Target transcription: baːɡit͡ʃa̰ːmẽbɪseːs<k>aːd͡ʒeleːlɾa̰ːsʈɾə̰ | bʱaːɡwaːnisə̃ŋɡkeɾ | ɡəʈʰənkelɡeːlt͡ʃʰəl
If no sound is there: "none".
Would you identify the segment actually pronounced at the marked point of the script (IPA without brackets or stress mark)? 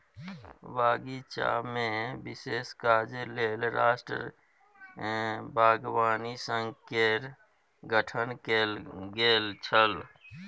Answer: k